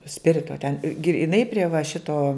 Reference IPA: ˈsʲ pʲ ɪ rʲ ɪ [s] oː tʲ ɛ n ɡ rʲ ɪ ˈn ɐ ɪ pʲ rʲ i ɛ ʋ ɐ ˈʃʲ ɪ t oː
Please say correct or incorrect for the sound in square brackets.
incorrect